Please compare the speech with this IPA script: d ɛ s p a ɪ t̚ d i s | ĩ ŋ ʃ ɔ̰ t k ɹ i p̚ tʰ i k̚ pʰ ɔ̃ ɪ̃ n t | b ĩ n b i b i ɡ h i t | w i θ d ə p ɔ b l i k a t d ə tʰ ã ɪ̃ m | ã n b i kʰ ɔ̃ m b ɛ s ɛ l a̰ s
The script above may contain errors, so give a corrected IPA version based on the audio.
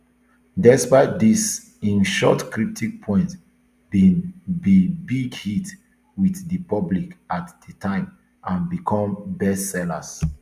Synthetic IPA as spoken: d ɛ s p a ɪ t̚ d i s | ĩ n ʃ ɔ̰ t k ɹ i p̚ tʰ i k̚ pʰ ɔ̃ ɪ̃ n t | b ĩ n b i b i ɡ h i t | w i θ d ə p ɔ b l i k a t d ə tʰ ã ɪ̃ m | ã n b i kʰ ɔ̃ m b ɛ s ɛ l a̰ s